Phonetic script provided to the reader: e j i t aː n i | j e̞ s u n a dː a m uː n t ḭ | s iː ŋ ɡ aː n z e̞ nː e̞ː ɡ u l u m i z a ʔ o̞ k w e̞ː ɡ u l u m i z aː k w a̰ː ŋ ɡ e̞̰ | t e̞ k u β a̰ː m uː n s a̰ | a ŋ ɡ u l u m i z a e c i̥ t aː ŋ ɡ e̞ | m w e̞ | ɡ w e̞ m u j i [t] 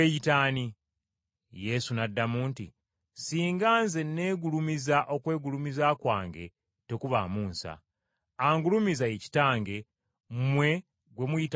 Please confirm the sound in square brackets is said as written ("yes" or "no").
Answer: yes